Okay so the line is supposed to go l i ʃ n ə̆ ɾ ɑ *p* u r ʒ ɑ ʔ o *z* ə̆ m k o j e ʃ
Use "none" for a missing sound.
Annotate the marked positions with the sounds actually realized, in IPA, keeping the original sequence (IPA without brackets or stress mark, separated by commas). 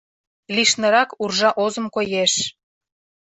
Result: k, z